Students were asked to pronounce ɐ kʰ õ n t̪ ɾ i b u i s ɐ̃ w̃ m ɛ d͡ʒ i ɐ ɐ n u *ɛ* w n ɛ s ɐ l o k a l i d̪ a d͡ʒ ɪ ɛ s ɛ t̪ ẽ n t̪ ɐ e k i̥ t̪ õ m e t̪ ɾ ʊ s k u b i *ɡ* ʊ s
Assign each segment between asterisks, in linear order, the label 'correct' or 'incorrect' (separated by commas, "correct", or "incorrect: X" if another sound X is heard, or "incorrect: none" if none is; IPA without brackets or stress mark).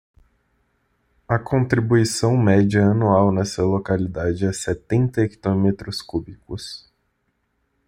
incorrect: a, incorrect: k